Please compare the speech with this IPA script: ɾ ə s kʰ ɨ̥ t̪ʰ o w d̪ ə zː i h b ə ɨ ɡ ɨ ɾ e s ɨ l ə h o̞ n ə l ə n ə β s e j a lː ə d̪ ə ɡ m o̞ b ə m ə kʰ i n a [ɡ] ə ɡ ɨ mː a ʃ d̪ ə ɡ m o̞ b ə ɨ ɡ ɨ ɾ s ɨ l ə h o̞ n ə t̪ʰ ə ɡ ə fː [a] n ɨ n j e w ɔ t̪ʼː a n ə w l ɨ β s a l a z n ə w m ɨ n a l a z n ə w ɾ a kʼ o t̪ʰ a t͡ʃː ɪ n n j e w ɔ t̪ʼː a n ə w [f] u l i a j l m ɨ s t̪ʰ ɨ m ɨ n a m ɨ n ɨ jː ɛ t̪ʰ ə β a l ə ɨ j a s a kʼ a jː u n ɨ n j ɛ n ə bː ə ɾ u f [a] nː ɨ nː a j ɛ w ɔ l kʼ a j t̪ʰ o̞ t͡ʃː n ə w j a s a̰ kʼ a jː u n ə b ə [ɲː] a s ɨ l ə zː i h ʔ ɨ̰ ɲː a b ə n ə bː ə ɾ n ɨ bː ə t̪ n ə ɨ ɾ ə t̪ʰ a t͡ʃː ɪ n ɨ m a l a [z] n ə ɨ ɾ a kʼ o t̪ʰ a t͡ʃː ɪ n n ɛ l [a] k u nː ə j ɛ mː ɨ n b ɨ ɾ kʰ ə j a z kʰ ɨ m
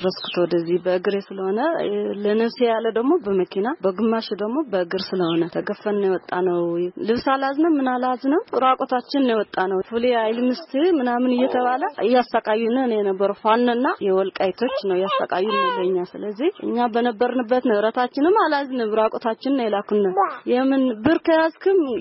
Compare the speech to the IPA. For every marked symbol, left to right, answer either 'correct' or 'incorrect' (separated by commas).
incorrect, incorrect, correct, correct, correct, correct, correct